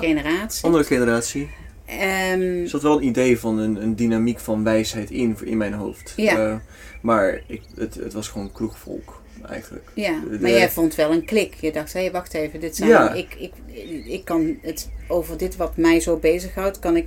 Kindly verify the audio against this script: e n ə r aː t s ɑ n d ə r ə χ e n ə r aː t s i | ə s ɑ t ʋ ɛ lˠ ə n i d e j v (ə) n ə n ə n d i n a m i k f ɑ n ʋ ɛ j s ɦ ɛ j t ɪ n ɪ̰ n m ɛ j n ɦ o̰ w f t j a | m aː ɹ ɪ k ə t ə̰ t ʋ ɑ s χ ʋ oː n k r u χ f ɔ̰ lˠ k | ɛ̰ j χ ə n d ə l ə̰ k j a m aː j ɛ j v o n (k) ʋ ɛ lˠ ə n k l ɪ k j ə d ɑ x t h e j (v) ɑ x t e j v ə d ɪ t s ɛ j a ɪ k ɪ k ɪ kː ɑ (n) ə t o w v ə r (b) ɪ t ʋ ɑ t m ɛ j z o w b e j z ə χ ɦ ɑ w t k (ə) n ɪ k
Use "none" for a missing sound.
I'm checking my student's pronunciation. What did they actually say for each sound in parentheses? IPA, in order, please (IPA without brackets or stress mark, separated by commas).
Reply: ɑ, t, ʋ, n, d, ɑ